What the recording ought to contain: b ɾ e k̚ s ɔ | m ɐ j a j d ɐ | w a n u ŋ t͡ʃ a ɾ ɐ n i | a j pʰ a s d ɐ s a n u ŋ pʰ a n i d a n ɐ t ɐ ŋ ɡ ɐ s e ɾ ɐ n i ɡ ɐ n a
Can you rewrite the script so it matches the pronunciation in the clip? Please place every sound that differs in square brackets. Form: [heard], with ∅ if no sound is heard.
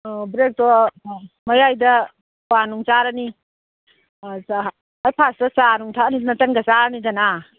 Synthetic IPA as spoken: b ɾ e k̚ [t] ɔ | m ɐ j a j d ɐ | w a n u ŋ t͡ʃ a ɾ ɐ n i | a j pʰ a s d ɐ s a n u ŋ [tʰ] a n i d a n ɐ t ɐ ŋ ɡ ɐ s [a] ɾ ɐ n i [d] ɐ n a